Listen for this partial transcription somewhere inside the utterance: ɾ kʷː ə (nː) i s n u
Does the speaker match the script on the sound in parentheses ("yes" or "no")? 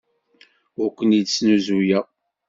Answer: no